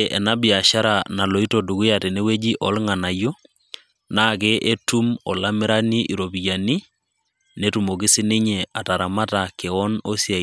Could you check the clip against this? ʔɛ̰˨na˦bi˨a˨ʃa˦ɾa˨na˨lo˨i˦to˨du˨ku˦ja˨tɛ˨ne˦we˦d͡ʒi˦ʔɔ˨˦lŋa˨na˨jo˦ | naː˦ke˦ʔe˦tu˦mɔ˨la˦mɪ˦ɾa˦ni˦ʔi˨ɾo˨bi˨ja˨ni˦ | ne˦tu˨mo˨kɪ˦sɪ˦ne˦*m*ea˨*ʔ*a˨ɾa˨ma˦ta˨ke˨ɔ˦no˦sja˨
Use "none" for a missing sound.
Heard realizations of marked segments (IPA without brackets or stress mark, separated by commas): ɲ, t